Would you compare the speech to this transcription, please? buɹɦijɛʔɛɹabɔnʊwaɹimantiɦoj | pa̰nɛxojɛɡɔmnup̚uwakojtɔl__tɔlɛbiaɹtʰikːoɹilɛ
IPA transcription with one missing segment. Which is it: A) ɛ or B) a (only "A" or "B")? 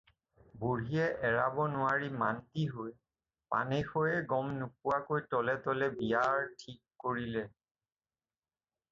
A